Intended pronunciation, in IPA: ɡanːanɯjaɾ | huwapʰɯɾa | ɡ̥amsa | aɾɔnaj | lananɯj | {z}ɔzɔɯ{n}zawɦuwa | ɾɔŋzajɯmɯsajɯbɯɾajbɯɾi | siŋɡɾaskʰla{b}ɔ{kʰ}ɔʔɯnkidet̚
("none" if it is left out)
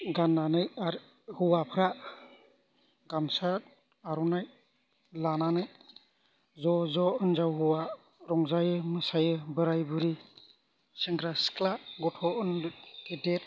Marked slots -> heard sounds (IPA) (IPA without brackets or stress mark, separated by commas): z, n, ɡ, tʰ